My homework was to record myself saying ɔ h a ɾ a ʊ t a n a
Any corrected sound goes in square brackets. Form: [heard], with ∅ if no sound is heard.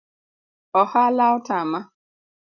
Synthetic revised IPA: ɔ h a [l] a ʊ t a [m] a